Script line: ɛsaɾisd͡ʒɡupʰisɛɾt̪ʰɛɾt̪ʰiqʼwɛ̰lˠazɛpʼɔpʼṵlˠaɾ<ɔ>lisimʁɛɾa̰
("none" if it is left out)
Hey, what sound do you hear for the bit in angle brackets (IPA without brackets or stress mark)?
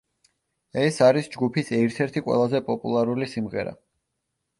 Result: u